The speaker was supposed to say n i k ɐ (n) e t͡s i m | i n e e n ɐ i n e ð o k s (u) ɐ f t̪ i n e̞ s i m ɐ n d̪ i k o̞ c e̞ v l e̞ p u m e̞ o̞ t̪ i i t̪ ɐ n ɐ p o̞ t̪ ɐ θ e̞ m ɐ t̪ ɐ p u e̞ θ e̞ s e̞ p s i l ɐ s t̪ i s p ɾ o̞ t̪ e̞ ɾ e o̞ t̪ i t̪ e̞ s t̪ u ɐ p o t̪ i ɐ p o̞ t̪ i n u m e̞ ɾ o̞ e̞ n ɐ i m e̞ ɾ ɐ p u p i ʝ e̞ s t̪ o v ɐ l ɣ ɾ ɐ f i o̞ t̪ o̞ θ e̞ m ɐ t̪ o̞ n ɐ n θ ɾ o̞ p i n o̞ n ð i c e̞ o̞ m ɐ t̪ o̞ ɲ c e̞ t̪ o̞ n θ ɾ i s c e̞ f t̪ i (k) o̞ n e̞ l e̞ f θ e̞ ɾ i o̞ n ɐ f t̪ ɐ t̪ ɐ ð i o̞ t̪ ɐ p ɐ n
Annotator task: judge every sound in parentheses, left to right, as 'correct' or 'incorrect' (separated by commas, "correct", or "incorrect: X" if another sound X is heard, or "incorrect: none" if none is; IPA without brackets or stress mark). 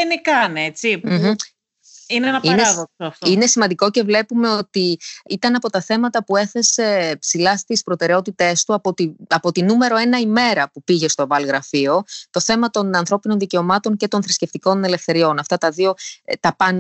correct, incorrect: o, correct